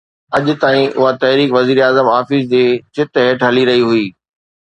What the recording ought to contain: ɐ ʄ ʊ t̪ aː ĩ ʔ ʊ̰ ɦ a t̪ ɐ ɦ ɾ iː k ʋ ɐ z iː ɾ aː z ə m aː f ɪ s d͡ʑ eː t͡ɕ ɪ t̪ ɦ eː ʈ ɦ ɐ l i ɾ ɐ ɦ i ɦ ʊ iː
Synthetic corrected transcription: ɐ ʄ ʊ t̪ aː ĩ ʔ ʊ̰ ɦ a t̪ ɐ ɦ ɾ iː k ʋ ɐ z iː ɾ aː z ə m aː f ɪ s d͡ʑ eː t͡ɕ ɪ t̪ ɦ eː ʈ ɦ ɐ l i ɾ ɐ ɦ i ɦ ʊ iː